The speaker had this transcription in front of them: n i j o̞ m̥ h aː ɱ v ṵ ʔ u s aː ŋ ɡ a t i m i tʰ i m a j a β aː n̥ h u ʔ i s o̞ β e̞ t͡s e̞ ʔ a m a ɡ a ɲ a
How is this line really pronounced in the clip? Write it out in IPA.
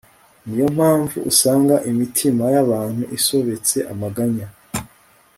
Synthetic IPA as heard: n i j o̞ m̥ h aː ɱ v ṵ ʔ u s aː ŋ ɡ a ʔ i m i tʰ i m a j a β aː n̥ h u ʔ i s o̞ β e̞ t͡s e̞ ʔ a m a ɡ a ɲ a